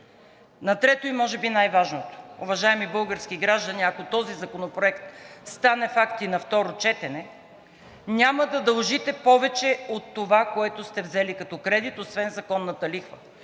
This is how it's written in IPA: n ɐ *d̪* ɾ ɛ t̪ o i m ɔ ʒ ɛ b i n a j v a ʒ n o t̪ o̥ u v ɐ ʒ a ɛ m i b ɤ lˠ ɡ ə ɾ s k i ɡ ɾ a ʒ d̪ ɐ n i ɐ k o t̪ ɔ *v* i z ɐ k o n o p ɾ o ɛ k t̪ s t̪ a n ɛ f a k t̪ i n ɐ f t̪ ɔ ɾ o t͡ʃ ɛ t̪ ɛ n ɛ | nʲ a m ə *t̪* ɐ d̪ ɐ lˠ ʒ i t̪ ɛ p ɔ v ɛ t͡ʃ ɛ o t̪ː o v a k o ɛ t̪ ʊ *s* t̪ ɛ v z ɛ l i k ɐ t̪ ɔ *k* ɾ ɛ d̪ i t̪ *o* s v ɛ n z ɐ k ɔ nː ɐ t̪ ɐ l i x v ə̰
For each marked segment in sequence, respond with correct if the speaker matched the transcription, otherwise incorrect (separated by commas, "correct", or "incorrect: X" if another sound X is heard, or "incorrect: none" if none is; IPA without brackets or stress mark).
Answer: incorrect: t̪, incorrect: z, incorrect: d̪, correct, correct, correct